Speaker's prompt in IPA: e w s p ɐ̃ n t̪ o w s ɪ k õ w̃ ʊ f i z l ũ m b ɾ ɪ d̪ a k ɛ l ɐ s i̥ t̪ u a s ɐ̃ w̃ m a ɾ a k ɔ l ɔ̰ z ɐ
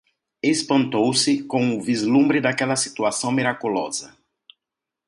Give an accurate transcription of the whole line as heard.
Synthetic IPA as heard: e s p ɐ̃ n t̪ o w s ɪ k õ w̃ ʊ v i z l ũ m b ɾ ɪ d̪ a k ɛ l ɐ s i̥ t̪ u a s ɐ̃ w̃ m i ɾ a k u l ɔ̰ z ɐ